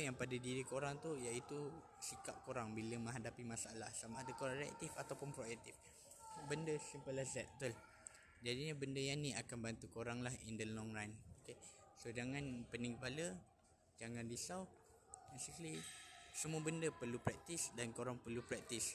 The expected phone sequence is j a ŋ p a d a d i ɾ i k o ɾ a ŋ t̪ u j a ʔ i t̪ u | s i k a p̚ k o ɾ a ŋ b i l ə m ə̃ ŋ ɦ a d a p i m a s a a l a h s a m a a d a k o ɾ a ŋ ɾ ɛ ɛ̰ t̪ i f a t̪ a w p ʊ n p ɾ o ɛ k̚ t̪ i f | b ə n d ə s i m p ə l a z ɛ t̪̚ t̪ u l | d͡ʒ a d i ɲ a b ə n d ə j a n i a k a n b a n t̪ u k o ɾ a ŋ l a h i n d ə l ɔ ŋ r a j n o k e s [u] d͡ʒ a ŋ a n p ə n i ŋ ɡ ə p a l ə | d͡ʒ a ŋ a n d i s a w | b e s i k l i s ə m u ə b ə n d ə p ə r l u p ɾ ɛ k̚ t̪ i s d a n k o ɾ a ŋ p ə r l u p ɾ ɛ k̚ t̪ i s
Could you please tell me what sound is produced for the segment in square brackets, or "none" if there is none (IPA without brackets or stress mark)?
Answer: o